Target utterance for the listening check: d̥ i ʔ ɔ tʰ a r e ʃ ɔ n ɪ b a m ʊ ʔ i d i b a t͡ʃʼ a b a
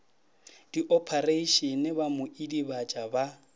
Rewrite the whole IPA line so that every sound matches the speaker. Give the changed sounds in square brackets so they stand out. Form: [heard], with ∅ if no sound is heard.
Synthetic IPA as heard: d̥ i ʔ ɔ [pʰ] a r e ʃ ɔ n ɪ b a m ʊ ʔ i d i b a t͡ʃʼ a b a